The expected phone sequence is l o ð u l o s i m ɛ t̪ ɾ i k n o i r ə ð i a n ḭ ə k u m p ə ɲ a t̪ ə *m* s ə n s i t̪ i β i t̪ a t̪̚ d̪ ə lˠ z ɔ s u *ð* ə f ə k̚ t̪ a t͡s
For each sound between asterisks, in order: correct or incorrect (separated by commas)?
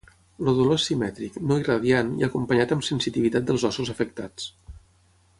correct, incorrect